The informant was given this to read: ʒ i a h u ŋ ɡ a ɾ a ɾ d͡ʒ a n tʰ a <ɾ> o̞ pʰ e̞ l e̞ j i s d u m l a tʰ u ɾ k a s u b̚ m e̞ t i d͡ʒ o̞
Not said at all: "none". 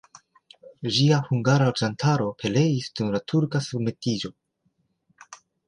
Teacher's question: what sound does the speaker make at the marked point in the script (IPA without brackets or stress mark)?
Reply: ɾ